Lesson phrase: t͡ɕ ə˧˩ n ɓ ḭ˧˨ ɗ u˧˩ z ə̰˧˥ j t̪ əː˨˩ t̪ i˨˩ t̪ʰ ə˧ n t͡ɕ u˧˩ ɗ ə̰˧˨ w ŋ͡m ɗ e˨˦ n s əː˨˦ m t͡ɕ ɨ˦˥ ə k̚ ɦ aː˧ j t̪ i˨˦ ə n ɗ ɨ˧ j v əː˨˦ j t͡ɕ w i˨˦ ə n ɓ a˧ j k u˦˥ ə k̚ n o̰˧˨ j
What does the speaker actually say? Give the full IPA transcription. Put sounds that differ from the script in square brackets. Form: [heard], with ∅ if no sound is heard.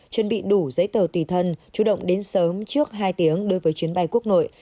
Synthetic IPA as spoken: t͡ɕ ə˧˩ n ɓ ḭ˧˨ ɗ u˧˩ z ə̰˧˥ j t̪ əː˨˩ t̪ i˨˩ t̪ʰ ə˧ n t͡ɕ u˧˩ ɗ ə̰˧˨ w ŋ͡m ɗ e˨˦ n s əː˨˦ m t͡ɕ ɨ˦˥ ə k̚ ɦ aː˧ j t̪ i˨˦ ə [ŋ] ɗ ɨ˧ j v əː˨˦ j t͡ɕ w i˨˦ ə n ɓ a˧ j k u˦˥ ə k̚ n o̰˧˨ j